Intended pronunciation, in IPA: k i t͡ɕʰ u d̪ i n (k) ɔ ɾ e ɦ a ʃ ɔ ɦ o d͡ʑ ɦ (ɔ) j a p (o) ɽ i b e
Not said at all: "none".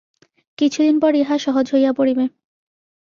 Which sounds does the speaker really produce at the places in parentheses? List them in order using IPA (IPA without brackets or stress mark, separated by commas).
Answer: p, o, o